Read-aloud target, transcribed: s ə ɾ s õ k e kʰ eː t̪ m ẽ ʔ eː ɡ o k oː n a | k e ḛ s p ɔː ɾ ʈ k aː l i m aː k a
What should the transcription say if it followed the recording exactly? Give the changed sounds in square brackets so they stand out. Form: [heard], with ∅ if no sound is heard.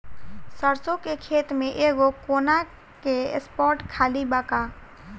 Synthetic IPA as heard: s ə ɾ s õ k e kʰ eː t̪ m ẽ ʔ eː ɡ o k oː n a | k e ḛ s p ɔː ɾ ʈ [kʰ] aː l i [b] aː k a